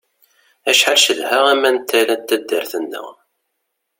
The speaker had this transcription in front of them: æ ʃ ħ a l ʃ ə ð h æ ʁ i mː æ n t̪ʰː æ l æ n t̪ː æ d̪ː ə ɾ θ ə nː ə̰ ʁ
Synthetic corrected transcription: æ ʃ ħ a l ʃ ə ð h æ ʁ æ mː æ n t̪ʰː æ l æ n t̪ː æ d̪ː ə ɾ θ ə nː ə̰ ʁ